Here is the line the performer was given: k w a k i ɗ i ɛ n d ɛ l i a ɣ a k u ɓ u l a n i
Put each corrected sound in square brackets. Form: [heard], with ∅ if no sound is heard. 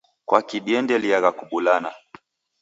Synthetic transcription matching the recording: k w a k i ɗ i ɛ n d ɛ l i a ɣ a k u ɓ u l a n [a]